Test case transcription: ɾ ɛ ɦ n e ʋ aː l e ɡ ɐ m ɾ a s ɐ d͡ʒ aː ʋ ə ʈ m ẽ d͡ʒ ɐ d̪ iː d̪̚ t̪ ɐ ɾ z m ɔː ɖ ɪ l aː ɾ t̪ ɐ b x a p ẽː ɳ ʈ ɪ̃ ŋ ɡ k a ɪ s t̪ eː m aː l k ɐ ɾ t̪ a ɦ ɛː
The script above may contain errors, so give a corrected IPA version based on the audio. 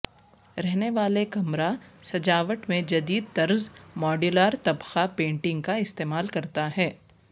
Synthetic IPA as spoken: ɾ ɛ ɦ n e ʋ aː l e k ɐ m ɾ a s ɐ d͡ʒ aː ʋ ə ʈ m ẽ d͡ʒ ɐ d̪ iː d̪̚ t̪ ɐ ɾ z m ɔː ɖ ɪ l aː ɾ t̪ ɐ b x a p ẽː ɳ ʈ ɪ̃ ŋ ɡ k a ɪ s t̪ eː m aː l k ɐ ɾ t̪ a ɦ ɛː

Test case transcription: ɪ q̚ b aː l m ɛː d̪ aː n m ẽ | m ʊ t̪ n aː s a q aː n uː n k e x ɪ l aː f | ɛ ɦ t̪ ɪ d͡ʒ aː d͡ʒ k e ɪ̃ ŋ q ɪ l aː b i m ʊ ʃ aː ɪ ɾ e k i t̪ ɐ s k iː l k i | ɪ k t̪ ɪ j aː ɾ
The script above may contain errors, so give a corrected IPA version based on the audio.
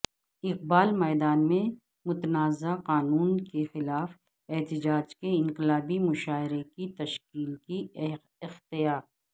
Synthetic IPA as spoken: ɪ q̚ b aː l m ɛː d̪ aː n m ẽ | m ʊ t̪ n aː z a q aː n uː n k e x ɪ l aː f | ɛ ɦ t̪ ɪ d͡ʒ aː d͡ʒ k e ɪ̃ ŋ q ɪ l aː b i m ʊ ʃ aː ɪ ɾ e k i t̪ ɐ ʃ k iː l k i | ɪ x t̪ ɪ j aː ɾ

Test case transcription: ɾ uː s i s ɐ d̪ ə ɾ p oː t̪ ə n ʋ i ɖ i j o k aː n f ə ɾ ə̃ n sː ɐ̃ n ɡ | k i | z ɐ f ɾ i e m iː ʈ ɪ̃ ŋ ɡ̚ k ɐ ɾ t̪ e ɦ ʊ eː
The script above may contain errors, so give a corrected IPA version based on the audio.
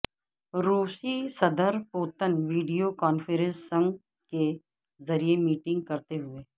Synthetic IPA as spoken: ɾ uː s i s ɐ d̪ ə ɾ p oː t̪ ə n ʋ iː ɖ i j o k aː n f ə ɾ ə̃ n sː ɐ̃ ŋ ɡ | k e | z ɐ ɾ i e m iː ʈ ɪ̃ ŋ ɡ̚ k ɐ ɾ t̪ e ɦ ʊ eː

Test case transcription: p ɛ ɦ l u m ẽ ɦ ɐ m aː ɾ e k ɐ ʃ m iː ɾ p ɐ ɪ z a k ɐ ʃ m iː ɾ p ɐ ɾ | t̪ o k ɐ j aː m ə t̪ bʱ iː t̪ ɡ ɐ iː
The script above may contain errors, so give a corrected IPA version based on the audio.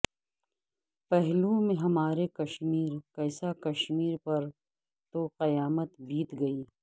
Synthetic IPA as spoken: p ɛ ɦ l u m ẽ ɦ ɐ m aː ɾ e k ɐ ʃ m iː ɾ k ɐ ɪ s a k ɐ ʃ m iː ɾ p ɐ ɾ | t̪ o q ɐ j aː m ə t̪ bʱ iː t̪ ɡ ɐ iː

